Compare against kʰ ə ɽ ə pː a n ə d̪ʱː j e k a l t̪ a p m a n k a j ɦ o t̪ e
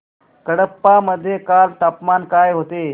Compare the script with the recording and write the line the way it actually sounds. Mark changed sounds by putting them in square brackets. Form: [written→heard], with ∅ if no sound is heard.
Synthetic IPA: [kʰ→k] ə ɽ ə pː a [n→m] ə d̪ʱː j e k a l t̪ a p m a n k a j ɦ o t̪ e